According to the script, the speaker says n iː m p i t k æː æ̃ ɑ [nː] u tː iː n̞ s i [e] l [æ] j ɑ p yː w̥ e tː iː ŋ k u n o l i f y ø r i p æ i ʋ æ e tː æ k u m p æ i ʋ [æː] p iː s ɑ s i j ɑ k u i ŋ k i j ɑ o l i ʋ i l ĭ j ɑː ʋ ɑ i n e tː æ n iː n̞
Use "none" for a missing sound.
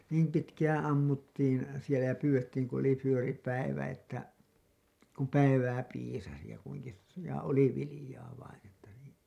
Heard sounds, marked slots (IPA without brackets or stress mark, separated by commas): mː, e, æ, æː